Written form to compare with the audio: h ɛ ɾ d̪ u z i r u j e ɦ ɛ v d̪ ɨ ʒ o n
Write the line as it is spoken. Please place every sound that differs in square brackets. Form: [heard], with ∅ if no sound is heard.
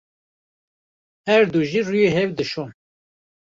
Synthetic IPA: h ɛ ɾ d̪ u [ʒ] i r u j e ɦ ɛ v d̪ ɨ [ʃ] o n